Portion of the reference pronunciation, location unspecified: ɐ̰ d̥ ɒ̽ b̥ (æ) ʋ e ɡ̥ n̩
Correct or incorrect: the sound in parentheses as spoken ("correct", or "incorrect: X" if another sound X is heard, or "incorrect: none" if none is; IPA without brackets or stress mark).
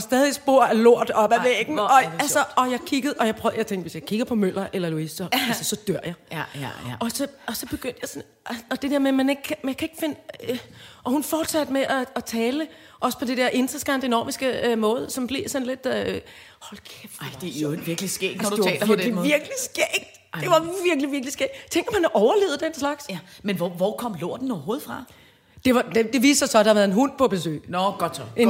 correct